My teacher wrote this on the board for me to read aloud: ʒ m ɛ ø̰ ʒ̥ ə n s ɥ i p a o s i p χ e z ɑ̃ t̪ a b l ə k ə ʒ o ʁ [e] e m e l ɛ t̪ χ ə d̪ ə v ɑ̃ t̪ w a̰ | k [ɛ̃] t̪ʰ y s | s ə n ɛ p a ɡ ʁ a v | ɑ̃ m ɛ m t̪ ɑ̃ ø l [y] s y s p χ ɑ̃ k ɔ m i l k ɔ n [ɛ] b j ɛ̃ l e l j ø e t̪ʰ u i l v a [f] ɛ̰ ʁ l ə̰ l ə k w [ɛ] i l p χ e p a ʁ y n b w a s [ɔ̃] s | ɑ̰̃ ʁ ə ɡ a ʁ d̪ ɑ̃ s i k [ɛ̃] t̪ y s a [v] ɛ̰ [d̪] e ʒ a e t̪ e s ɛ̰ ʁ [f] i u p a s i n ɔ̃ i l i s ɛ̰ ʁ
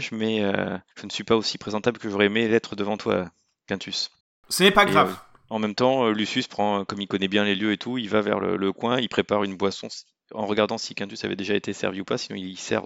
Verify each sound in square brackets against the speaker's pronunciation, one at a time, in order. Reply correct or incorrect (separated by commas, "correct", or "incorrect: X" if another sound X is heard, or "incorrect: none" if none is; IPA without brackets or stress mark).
incorrect: ɛ, correct, correct, correct, incorrect: v, incorrect: ɛ̃, correct, correct, correct, correct, incorrect: v